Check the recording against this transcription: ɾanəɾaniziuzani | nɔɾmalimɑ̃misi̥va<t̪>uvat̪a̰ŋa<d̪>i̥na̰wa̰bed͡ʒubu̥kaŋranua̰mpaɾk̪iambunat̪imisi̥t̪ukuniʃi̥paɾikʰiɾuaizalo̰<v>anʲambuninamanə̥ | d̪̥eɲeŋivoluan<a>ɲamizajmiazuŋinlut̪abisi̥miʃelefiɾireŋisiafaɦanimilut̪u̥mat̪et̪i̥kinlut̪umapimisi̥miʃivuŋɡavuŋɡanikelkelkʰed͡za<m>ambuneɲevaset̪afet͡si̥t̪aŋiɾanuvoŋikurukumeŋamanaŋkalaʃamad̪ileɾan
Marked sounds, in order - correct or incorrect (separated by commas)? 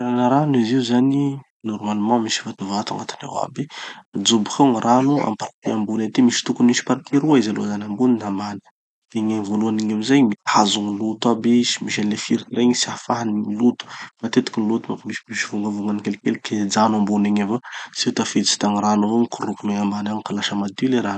correct, incorrect, incorrect, incorrect, incorrect